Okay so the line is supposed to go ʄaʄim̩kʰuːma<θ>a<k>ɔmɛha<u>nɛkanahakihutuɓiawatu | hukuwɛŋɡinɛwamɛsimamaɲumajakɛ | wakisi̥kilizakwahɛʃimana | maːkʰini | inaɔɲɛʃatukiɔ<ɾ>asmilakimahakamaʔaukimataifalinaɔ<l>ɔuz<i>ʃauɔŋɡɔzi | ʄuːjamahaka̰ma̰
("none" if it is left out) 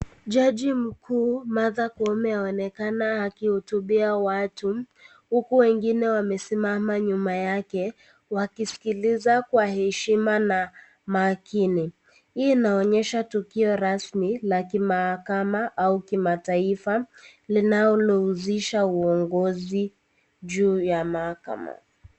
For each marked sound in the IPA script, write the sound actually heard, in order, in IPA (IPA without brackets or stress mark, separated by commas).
ð, k, ɔ, ɾ, l, i